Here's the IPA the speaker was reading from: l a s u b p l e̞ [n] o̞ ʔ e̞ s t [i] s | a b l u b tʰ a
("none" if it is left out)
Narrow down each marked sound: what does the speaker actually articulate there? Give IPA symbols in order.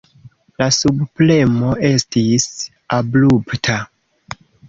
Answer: m, i

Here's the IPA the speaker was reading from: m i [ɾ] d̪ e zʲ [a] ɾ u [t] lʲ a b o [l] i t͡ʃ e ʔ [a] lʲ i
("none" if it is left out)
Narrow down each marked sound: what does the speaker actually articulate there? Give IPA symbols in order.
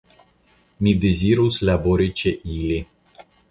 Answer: none, i, s, ɾ, i

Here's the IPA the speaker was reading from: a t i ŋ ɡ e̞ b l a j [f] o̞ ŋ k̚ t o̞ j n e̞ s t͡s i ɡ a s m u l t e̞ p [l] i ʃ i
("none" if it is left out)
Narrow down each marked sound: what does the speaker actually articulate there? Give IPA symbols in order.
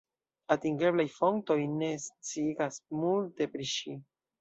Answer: f, ɾ

